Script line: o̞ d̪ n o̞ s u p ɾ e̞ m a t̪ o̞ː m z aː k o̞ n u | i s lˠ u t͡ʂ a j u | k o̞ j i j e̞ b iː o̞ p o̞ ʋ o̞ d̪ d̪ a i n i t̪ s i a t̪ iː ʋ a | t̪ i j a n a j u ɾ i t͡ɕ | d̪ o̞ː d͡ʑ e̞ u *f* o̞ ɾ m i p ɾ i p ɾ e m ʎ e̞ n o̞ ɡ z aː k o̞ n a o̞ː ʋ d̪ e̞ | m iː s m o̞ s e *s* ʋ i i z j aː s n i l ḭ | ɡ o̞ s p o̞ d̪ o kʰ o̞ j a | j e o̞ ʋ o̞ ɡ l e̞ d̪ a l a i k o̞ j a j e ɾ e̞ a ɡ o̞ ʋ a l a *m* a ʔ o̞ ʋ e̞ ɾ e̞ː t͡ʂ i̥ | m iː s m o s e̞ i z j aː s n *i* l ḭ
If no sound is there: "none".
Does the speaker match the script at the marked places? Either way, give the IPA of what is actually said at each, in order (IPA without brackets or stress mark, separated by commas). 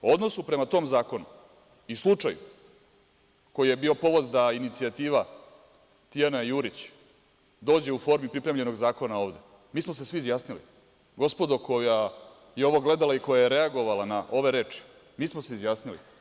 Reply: f, s, n, i